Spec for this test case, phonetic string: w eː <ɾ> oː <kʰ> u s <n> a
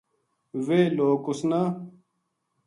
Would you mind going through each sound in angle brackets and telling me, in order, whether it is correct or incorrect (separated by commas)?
incorrect, incorrect, correct